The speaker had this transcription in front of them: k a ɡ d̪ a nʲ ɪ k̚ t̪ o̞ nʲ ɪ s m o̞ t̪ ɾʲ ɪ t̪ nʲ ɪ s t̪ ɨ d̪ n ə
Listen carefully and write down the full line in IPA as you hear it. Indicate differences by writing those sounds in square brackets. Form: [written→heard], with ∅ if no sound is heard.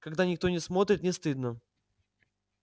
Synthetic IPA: k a ɡ d̪ a nʲ ɪ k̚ t̪ o̞ nʲ ɪ s m o̞ t̪ ɾʲ ɪ t̪ nʲ ɪ s t̪ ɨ d̪ n ə